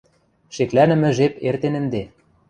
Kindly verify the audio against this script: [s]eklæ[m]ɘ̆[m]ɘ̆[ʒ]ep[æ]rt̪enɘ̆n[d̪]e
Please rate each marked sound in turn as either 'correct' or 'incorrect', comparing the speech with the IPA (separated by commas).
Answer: incorrect, incorrect, correct, correct, incorrect, correct